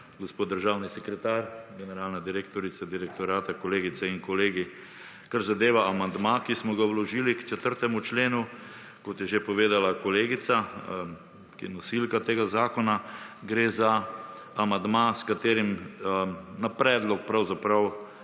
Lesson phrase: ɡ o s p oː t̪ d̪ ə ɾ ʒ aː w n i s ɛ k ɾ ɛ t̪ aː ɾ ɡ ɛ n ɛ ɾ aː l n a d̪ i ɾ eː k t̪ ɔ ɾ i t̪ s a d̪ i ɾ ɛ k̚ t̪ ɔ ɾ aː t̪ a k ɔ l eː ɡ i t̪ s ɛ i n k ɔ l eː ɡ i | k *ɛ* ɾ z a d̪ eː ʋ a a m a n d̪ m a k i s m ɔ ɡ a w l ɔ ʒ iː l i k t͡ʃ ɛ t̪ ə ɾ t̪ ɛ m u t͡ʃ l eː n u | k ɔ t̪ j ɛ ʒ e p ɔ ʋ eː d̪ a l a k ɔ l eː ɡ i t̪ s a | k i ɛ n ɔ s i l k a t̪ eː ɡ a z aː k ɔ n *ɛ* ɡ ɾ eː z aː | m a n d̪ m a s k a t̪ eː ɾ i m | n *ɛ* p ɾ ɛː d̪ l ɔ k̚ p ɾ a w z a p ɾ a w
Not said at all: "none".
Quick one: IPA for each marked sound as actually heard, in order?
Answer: a, a, a

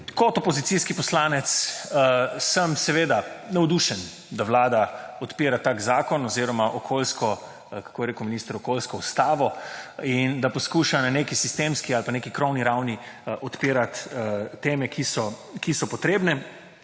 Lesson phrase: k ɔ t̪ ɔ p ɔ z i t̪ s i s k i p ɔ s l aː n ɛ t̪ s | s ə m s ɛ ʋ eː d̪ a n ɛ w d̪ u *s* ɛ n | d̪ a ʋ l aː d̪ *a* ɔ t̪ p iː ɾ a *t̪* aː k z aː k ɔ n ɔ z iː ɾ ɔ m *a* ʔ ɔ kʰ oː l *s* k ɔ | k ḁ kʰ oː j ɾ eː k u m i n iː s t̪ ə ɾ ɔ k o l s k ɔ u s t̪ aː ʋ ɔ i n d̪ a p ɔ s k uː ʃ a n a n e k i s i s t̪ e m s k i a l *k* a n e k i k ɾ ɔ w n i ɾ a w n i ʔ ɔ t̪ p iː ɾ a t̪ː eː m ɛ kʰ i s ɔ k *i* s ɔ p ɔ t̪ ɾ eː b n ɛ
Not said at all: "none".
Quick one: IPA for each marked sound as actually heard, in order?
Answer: ʃ, a, t̪, a, s, p, i

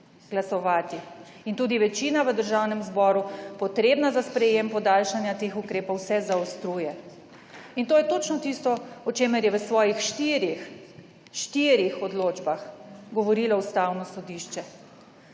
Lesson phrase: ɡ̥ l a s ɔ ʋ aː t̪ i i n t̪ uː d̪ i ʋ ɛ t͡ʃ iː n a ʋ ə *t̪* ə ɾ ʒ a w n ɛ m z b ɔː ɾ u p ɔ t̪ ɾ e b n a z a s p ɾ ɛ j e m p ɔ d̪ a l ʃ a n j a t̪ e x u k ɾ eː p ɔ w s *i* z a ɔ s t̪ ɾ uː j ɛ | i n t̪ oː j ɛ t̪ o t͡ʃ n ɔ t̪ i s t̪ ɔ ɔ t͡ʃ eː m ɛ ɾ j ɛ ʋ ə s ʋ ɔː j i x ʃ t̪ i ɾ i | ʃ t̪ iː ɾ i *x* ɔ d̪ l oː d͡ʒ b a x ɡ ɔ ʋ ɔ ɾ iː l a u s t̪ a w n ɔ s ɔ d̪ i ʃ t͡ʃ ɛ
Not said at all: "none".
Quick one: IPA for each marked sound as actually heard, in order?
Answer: d̪, ɛ, x

